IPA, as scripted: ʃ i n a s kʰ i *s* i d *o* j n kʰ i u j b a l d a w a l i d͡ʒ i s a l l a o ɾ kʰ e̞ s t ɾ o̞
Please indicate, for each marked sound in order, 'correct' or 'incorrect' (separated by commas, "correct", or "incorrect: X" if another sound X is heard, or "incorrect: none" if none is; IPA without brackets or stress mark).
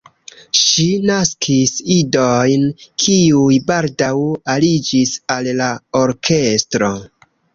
correct, correct